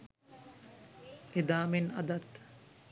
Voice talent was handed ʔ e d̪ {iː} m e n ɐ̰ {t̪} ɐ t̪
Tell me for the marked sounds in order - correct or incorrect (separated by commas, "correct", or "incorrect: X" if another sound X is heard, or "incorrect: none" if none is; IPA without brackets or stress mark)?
incorrect: aː, incorrect: d̪